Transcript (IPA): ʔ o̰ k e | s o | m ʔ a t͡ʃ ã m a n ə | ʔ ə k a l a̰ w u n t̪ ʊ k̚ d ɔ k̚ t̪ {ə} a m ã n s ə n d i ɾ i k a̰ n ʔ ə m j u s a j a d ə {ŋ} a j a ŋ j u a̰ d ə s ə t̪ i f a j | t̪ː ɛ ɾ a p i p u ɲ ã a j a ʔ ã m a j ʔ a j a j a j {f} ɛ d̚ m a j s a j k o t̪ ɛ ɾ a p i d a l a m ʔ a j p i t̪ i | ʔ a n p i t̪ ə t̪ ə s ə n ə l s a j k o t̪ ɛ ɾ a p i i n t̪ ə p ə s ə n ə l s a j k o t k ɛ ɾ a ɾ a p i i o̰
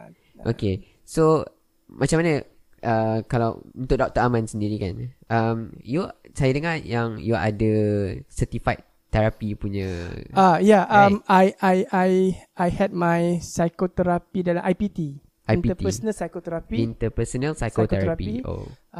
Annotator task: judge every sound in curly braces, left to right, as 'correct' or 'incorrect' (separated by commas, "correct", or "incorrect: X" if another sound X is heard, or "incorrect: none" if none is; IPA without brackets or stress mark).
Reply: correct, correct, incorrect: h